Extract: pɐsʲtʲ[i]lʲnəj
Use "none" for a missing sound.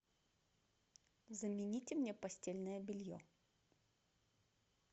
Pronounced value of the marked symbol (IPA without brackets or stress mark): e